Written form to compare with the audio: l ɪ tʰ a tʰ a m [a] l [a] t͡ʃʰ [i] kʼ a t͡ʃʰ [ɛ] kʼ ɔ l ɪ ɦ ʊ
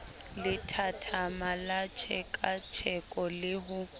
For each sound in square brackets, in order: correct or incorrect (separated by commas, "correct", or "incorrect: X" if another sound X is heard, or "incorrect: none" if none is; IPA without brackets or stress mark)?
correct, correct, incorrect: ɛ, correct